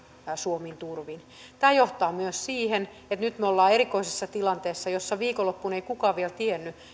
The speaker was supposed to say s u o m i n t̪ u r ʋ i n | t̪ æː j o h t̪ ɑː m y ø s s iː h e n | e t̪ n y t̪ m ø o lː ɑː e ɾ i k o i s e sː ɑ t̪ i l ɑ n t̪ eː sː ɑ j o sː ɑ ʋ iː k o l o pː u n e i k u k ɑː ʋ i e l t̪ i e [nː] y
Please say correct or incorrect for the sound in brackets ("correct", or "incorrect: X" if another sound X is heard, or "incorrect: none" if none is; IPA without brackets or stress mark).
correct